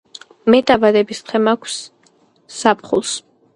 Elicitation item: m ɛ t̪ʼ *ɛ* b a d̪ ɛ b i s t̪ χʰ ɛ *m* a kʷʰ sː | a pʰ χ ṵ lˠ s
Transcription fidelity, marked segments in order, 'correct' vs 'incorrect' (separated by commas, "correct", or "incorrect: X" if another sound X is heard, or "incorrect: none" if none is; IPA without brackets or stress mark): incorrect: a, correct